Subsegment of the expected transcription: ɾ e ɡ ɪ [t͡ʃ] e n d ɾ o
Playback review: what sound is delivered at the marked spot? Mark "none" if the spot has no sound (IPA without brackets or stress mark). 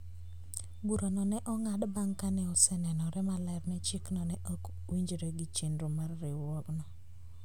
t͡ʃ